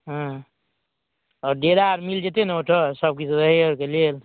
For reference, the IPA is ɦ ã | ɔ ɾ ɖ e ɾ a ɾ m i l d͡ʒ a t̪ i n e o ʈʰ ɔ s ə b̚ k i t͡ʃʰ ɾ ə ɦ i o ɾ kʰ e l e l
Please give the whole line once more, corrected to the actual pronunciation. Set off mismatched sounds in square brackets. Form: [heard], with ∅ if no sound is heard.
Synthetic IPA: ɦ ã | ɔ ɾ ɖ e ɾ a ɾ m i l d͡ʒ [e] t̪ [e] n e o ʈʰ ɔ s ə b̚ k i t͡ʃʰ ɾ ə ɦ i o ɾ [k] e l e l